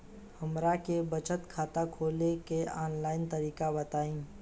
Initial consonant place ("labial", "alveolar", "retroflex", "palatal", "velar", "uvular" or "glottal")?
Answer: glottal